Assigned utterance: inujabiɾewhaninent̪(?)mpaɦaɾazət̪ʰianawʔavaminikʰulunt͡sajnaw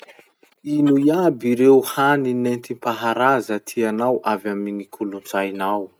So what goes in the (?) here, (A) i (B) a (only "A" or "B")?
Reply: A